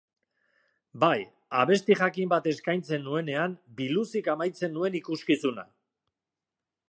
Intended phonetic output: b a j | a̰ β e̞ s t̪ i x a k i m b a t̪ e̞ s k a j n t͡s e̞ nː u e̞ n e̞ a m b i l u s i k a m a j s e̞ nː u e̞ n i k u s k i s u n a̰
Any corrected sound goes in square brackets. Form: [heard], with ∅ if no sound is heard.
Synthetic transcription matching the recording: b a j | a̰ β e̞ s t̪ i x a k i m b a t̪ e̞ s k a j n t͡s e̞ nː u e̞ n e̞ a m b i l u s i k a m a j [t͡s] e̞ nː u e̞ n i k u s k i s u n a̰

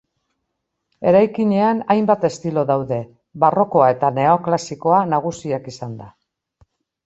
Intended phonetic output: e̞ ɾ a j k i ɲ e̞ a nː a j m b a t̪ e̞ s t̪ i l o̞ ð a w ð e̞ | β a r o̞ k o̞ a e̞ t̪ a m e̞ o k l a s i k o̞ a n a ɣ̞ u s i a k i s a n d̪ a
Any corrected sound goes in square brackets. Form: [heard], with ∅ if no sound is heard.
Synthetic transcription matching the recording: e̞ ɾ a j k i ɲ e̞ a [n] a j m b a t̪ e̞ s t̪ i l o̞ ð a w ð e̞ | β a r o̞ k o̞ a e̞ t̪ a [n] e̞ o k l a s i k o̞ a n a ɣ̞ u s i a k i s a n d̪ a

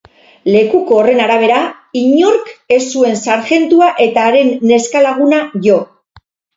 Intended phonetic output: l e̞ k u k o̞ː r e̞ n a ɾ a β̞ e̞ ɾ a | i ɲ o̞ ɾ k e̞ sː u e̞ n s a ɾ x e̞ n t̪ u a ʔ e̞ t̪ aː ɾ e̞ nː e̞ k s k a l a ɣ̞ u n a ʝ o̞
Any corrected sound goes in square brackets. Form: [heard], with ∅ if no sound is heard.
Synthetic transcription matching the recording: l e̞ k u k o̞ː r e̞ n a ɾ a β̞ e̞ ɾ a | i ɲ o̞ ɾ k e̞ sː u e̞ n s a ɾ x e̞ n t̪ u a ʔ e̞ t̪ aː ɾ e̞ nː e̞ [∅] s k a l a ɣ̞ u n a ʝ o̞

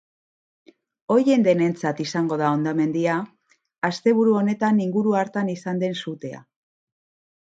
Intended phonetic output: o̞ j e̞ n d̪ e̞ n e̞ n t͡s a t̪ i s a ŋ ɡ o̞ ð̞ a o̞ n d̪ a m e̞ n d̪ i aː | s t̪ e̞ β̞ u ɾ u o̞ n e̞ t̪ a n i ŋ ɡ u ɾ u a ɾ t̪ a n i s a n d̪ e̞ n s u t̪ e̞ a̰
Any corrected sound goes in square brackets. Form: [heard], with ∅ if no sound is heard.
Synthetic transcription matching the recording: o̞ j e̞ n d̪ e̞ n e̞ n t͡s a t̪ i s a ŋ ɡ o̞ ð̞ a o̞ n d̪ a m e̞ n d̪ i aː | s t̪ e̞ β̞ u ɾ u o̞ n e̞ t̪ a n i ŋ ɡ u ɾ u a ɾ t̪ a n i s a n d̪ e̞ n s u t̪ e̞ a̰

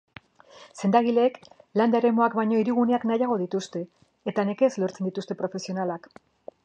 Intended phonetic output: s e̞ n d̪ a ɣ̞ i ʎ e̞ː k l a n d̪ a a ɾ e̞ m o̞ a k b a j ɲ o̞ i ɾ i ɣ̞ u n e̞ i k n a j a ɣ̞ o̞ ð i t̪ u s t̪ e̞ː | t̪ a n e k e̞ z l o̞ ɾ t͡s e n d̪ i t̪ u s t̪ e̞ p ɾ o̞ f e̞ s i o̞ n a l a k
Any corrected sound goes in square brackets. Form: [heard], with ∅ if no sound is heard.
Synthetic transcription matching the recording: s e̞ n d̪ a ɣ̞ i [l] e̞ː k l a n d̪ a [e] ɾ e̞ m o̞ a k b a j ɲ o̞ i ɾ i ɣ̞ u n e̞ [a] k n a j a ɣ̞ o̞ ð i t̪ u s t̪ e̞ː | t̪ a n e k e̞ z l o̞ ɾ t͡s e n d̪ i t̪ u s t̪ e̞ p ɾ o̞ f e̞ s i o̞ n a l a k

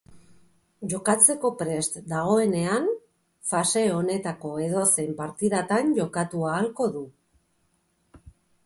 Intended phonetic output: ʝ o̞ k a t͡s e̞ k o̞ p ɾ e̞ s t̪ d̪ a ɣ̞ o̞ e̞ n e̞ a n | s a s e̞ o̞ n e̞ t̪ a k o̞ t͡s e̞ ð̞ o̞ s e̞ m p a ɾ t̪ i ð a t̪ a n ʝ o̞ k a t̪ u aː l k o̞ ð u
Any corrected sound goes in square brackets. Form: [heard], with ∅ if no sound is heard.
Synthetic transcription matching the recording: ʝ o̞ k a t͡s e̞ k o̞ p ɾ e̞ s t̪ d̪ a ɣ̞ o̞ e̞ n e̞ a n | [f] a s e̞ o̞ n e̞ t̪ a k o̞ [∅] e̞ ð̞ o̞ s e̞ m p a ɾ t̪ i ð a t̪ a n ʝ o̞ k a t̪ u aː l k o̞ ð u

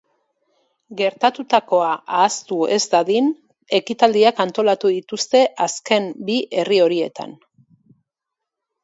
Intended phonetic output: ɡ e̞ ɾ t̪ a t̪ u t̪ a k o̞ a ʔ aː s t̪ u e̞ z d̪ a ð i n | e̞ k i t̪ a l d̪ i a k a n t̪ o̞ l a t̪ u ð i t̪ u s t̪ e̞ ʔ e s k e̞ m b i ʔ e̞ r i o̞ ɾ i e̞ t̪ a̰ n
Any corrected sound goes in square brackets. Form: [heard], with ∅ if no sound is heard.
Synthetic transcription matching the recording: ɡ e̞ ɾ t̪ a t̪ u t̪ a k o̞ a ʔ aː s t̪ u e̞ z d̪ a ð i n | e̞ k i t̪ a l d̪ i a k a n t̪ o̞ l a t̪ u ð i t̪ u s t̪ e̞ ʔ [a] s k e̞ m b i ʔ e̞ r i o̞ ɾ i e̞ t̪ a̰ n

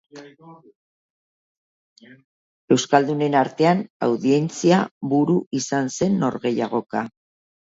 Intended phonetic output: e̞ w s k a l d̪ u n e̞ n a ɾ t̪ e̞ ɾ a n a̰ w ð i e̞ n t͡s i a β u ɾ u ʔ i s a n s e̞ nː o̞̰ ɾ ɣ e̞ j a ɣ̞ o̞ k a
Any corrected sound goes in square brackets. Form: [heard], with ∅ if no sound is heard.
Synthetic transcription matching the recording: e̞ w s k a l d̪ u n e̞ n a ɾ t̪ e̞ [∅] a n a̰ w ð i e̞ n t͡s i a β u ɾ u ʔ i s a n s e̞ nː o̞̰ ɾ ɣ e̞ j a ɣ̞ o̞ k a

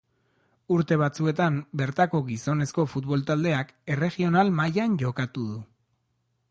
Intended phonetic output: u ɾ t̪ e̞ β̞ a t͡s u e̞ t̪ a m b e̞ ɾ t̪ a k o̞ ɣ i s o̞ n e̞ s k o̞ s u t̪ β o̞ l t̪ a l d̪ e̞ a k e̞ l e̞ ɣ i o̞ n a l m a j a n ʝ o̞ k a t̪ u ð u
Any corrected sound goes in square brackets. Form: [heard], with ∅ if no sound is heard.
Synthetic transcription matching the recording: u ɾ t̪ e̞ β̞ a t͡s u e̞ t̪ a m b e̞ ɾ t̪ a k o̞ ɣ i s o̞ n e̞ s k o̞ [f] u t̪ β o̞ l t̪ a l d̪ e̞ a k e̞ [r] e̞ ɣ i o̞ n a l m a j a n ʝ o̞ k a t̪ u ð u

